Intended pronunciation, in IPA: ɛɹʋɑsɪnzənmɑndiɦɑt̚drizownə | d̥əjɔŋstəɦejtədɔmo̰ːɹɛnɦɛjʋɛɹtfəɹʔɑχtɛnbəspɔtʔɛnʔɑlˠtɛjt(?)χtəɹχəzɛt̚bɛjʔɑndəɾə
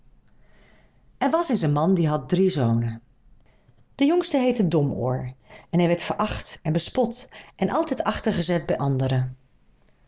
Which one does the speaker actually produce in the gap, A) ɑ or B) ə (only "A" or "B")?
A